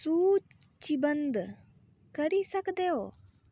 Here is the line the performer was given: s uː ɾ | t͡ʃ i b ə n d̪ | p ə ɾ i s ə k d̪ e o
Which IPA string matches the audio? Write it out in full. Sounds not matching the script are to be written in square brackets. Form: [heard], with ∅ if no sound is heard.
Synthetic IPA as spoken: s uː [∅] | t͡ʃ i b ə n d̪ | [k] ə ɾ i s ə k d̪ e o